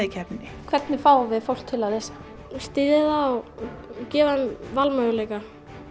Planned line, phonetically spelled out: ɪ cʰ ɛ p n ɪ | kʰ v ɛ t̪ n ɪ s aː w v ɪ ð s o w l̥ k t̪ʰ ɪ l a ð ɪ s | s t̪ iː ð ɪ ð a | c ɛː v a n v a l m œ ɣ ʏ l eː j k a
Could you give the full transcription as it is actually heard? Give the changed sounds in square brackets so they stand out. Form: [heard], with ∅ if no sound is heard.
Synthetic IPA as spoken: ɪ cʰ ɛ p n ɪ | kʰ v ɛ t̪ n ɪ [f] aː w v ɪ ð [f] o w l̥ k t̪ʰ ɪ l a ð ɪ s | s t̪ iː ð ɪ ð a | c ɛː v a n v a l m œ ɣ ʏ l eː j k a